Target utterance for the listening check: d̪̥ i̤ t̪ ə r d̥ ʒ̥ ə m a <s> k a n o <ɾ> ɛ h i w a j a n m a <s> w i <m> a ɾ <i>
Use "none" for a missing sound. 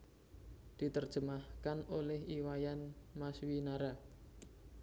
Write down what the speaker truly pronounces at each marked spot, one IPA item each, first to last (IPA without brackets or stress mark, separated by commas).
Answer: h, l, s, n, a